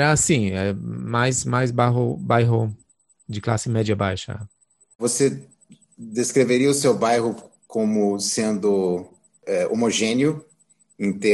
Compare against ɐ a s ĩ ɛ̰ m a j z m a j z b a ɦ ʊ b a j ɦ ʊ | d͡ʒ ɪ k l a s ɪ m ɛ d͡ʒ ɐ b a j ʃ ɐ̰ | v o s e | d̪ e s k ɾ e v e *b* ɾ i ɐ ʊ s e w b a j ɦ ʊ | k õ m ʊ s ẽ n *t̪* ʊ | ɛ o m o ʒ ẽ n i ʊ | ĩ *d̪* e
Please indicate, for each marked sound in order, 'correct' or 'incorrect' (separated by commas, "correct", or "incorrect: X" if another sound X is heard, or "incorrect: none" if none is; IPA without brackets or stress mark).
incorrect: none, incorrect: d̪, incorrect: t̪